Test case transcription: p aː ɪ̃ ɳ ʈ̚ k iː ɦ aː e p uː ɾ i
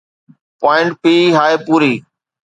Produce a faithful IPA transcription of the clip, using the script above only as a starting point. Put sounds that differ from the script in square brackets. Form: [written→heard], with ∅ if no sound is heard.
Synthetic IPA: p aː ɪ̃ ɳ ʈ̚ [k→p] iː ɦ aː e p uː ɾ [i→iː]